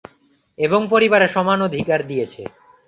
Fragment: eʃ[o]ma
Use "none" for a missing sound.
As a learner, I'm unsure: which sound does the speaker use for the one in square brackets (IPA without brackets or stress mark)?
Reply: ɔ